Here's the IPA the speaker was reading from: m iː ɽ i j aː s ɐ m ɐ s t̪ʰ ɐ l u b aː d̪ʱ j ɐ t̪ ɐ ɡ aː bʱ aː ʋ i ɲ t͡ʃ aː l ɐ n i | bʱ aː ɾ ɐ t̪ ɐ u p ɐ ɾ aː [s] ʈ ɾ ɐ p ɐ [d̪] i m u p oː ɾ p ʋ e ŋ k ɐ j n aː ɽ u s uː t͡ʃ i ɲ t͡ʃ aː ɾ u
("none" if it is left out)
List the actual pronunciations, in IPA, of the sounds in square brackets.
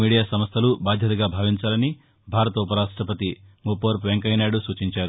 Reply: ʂ, t̪

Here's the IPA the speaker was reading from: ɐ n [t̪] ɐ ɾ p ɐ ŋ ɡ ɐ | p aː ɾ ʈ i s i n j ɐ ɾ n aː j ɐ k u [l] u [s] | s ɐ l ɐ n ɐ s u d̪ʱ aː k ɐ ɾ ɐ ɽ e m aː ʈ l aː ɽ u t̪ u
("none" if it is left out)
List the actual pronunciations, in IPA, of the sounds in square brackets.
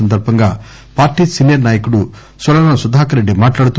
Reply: d̪, ɽ, none

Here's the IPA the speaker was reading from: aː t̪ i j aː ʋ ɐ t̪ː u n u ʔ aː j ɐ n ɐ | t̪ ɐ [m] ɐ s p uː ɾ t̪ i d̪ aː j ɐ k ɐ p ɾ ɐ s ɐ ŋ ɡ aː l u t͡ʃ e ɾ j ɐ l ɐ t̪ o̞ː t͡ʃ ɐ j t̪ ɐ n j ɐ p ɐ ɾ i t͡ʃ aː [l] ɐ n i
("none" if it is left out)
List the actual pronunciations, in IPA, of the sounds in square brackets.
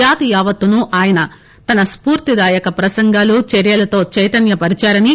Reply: n, ɾ

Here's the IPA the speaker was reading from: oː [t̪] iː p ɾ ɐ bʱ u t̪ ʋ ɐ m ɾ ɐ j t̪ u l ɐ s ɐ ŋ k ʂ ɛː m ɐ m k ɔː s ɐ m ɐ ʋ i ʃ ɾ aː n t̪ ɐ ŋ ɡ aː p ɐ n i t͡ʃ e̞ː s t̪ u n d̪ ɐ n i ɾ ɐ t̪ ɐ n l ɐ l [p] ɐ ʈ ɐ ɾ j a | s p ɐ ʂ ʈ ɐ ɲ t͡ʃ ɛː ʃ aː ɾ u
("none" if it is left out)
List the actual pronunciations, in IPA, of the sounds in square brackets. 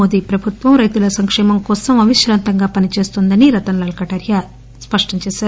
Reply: d̪, k

